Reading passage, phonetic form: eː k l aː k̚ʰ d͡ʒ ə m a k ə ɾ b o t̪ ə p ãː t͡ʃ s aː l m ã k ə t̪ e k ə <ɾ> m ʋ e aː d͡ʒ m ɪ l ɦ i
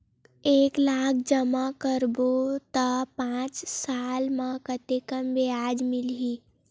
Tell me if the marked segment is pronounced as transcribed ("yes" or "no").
no